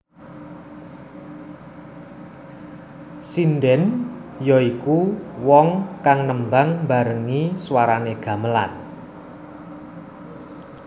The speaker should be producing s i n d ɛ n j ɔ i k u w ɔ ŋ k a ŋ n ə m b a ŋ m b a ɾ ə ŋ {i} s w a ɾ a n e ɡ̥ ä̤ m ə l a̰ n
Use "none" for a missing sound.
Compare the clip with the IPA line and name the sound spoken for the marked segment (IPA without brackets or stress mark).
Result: i